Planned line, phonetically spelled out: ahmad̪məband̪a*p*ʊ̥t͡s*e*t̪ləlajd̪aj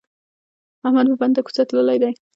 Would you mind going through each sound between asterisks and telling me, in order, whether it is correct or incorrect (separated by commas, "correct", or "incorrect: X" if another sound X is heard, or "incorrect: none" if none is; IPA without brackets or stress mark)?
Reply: incorrect: k, incorrect: a